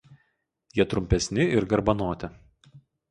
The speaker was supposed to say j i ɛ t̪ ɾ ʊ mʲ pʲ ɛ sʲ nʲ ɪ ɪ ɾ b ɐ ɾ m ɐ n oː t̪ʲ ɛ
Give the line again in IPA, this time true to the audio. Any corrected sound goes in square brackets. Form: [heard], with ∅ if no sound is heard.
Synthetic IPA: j i ɛ t̪ ɾ ʊ mʲ pʲ ɛ sʲ nʲ ɪ ɪ ɾ [ɡ] ɐ ɾ [b] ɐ n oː t̪ʲ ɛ